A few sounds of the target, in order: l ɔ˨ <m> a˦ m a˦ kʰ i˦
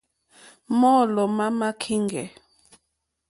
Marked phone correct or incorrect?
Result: correct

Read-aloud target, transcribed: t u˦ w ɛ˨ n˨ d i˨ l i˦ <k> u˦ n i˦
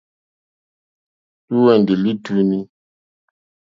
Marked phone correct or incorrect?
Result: incorrect: t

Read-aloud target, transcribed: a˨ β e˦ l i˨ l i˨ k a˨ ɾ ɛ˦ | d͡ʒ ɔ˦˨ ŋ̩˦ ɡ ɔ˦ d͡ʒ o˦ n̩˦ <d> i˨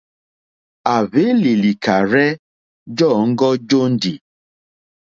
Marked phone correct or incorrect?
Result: correct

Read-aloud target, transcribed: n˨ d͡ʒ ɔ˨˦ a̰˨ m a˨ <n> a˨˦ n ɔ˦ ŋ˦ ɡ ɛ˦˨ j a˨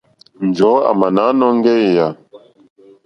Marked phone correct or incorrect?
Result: correct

